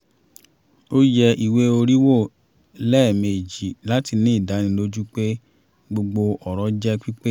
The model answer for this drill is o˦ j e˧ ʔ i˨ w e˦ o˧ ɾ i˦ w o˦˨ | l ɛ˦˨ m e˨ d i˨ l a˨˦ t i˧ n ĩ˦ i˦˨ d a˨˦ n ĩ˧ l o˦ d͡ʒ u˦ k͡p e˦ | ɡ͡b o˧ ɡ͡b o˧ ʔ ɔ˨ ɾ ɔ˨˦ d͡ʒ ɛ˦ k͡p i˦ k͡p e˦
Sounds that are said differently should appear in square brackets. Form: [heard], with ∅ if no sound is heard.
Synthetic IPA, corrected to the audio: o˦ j [ɛ˧] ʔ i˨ w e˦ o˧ ɾ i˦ w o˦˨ | l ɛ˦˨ m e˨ [d͡ʒ] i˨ l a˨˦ t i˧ n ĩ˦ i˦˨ d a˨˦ n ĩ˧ l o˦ d͡ʒ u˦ k͡p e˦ | ɡ͡b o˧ ɡ͡b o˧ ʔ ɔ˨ ɾ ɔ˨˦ d͡ʒ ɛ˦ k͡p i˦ k͡p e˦